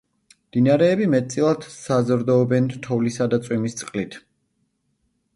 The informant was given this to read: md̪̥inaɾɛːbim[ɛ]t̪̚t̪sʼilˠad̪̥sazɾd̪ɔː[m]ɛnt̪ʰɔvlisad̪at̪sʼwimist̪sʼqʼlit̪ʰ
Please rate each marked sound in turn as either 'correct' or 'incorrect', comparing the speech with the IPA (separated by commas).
correct, incorrect